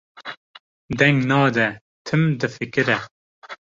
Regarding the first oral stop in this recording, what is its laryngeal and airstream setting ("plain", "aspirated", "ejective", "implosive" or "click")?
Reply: plain